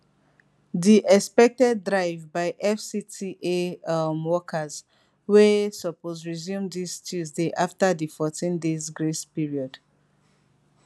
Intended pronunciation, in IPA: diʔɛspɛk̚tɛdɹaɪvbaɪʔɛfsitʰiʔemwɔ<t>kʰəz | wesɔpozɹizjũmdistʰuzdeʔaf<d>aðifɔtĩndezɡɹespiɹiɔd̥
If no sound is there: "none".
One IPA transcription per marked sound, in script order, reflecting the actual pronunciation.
none, t

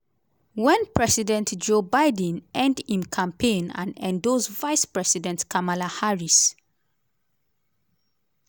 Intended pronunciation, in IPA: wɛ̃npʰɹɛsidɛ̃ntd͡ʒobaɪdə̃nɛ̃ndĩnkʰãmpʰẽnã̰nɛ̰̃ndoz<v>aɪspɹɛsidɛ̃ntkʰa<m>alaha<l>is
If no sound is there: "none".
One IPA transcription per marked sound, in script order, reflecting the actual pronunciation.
v, m, ɹ

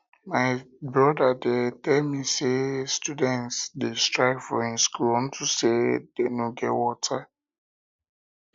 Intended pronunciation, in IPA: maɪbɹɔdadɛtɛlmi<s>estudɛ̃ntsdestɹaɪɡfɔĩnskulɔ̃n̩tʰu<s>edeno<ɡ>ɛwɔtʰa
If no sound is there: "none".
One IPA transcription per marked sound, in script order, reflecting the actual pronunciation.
s, s, ɡ

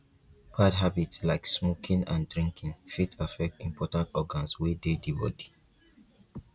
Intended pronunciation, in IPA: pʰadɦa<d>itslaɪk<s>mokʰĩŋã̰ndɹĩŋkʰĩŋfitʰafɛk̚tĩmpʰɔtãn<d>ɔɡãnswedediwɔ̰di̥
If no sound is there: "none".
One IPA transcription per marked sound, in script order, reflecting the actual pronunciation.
b, s, t

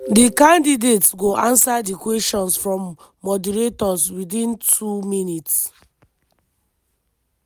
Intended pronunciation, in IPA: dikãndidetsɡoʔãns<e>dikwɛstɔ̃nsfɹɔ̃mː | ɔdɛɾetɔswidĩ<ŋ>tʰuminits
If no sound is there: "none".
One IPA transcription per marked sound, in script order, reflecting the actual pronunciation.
a, n

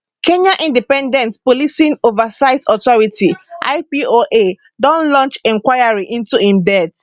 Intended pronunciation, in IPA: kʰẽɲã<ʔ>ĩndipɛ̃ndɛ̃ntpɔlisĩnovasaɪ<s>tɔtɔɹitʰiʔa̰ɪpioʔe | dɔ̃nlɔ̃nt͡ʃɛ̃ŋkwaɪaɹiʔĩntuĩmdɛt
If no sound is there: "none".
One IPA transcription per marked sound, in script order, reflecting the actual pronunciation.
ʔ, none

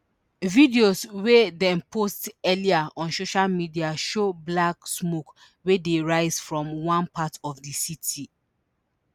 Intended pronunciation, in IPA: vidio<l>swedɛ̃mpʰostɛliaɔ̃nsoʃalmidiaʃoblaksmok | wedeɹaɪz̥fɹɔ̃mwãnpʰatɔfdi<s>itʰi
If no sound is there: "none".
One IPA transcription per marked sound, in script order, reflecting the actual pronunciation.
none, s

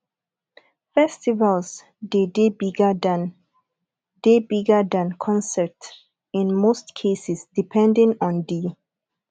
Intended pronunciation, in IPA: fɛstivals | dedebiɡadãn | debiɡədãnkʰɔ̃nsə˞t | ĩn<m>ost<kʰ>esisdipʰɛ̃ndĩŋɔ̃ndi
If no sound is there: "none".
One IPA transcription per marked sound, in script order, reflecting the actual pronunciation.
m, kʰ

